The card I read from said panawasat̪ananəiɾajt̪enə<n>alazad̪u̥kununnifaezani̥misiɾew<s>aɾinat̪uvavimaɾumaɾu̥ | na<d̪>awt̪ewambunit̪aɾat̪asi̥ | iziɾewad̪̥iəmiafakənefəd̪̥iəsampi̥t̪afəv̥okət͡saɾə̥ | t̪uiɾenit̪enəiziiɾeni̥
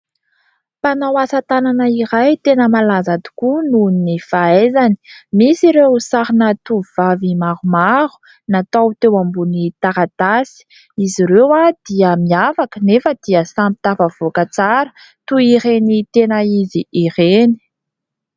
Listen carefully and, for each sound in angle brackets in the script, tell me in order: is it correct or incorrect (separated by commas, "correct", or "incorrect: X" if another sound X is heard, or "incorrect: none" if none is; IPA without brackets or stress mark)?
incorrect: m, correct, incorrect: t̪